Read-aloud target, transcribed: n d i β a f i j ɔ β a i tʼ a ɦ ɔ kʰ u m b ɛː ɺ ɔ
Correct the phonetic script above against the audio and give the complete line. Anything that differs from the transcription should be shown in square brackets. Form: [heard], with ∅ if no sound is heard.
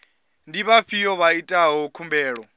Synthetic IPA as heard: n d i β a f i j ɔ β a i tʼ a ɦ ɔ kʰ u m b ɛː ɺ ɔ